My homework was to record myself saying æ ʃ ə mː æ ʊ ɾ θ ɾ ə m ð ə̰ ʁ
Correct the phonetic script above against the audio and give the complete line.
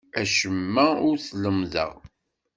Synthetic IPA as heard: æ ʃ ə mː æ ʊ ɾ θ l ə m ð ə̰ ʁ